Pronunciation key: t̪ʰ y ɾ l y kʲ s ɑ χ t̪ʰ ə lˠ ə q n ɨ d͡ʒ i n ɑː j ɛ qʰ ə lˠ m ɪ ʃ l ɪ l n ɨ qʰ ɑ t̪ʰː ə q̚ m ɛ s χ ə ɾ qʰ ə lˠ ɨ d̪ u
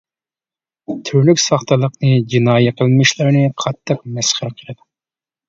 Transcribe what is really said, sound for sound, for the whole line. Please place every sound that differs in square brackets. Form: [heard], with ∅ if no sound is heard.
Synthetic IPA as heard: t̪ʰ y ɾ l y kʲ s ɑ χ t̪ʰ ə lˠ ə q n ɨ d͡ʒ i n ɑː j ɛ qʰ ə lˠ m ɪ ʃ l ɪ [ɾ] n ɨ qʰ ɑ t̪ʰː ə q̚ m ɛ s χ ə ɾ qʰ ə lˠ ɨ d̪ u